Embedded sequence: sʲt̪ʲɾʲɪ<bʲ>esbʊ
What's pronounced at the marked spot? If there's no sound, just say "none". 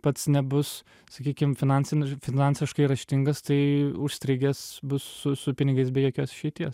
ɡʲ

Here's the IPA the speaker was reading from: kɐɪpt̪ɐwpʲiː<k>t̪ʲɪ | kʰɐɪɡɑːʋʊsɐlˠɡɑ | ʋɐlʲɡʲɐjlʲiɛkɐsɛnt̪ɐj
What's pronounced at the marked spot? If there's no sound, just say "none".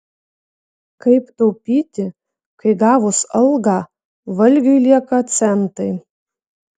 none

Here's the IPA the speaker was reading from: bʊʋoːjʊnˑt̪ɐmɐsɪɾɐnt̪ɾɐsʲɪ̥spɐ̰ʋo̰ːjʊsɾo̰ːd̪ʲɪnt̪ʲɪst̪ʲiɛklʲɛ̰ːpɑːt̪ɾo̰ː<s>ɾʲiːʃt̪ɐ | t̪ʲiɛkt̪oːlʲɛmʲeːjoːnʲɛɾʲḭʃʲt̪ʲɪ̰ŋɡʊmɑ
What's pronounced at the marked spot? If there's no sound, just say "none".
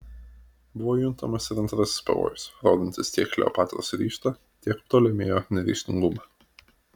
s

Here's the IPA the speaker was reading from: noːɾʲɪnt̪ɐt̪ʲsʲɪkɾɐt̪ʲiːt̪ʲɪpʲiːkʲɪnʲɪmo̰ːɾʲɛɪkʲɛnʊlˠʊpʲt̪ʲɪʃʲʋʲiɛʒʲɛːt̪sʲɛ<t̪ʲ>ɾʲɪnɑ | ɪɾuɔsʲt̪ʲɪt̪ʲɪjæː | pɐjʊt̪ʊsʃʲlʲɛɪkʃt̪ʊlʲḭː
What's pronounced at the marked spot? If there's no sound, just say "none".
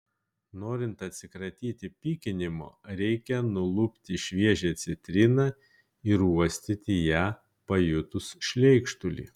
t̪ʲ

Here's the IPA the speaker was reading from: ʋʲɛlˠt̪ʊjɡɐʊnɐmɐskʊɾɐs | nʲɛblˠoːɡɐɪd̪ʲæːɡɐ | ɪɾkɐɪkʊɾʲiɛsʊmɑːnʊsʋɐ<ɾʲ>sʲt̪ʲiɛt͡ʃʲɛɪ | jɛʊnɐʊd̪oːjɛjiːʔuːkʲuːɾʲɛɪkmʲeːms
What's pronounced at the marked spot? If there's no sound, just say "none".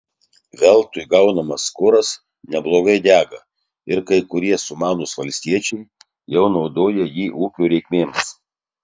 lʲ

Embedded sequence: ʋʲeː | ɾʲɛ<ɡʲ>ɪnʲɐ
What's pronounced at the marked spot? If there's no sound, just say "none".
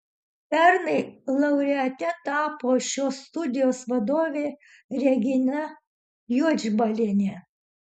ɡʲ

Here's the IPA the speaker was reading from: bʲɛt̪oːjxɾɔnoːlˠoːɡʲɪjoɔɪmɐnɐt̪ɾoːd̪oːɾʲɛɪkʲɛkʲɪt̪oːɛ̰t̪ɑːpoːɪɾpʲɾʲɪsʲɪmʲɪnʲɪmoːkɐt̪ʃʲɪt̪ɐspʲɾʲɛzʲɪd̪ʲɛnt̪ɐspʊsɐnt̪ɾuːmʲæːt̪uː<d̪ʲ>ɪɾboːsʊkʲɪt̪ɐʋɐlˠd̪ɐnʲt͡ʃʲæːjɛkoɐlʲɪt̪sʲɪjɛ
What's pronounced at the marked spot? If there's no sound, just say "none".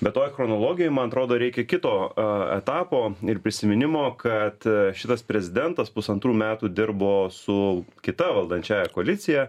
d̪ʲ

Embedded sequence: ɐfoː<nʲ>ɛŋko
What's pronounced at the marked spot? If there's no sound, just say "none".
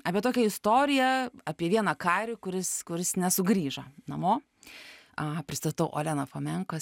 mʲ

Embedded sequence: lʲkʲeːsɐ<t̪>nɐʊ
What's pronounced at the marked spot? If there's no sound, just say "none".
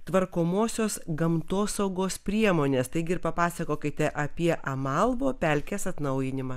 t̪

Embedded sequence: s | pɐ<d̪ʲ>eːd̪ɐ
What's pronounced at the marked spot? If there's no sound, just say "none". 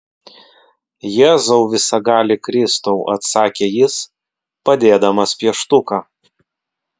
d̪ʲ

